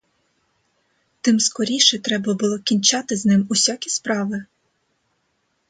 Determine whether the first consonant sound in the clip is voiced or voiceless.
voiceless